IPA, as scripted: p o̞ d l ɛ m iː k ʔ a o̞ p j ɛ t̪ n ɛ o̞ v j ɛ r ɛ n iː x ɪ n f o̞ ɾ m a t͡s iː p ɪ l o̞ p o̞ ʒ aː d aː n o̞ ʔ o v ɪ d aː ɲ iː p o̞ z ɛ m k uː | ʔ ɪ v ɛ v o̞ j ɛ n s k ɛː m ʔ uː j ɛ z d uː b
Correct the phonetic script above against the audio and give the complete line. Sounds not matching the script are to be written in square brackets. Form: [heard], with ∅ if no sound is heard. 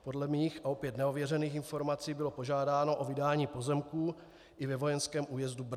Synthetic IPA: p o̞ d l ɛ m iː [x] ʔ a o̞ p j ɛ t̪ n ɛ o̞ v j ɛ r ɛ n iː x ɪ n f o̞ ɾ m a t͡s iː [b] ɪ l o̞ p o̞ ʒ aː d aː n o̞ ʔ o v ɪ d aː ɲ iː p o̞ z ɛ m k uː | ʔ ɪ v ɛ v o̞ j ɛ n s k ɛː m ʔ uː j ɛ z d [u] b